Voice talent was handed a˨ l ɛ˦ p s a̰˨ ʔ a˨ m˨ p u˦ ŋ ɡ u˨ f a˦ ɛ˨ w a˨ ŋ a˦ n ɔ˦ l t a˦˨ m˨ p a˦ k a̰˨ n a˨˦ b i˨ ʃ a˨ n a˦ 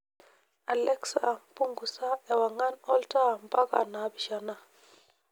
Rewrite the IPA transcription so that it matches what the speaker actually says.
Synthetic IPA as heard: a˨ l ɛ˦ k s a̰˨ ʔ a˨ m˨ p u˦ ŋ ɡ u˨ s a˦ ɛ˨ w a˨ ŋ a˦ n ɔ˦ l t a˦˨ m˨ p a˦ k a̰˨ n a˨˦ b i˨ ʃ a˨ n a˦